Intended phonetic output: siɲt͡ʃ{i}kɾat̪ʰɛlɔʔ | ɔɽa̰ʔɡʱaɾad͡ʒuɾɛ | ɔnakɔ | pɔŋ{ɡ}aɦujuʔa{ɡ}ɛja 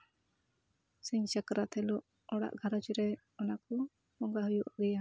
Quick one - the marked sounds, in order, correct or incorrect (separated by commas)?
incorrect, correct, correct